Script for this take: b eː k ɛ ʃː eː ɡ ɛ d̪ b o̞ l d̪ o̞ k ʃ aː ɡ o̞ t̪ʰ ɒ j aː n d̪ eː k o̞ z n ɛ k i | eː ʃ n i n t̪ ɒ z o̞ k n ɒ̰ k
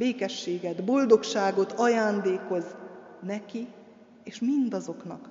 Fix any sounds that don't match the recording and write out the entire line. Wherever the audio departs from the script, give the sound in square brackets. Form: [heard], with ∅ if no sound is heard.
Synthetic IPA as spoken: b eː k ɛ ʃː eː ɡ ɛ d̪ b o̞ l d̪ o̞ k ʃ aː ɡ o̞ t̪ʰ ɒ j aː n d̪ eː k o̞ z n ɛ k i | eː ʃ [m] i n [d̪] ɒ z o̞ k n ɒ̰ k